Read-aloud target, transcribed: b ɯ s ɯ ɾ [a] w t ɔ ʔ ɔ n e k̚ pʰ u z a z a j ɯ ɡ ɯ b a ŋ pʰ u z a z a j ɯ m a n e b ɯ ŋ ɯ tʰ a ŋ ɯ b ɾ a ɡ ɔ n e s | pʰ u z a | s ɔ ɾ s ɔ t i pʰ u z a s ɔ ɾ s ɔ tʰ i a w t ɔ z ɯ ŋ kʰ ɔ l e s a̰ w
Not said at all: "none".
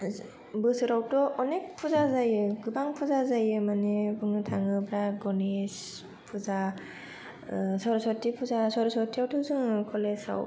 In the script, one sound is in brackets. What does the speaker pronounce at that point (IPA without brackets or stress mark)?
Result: a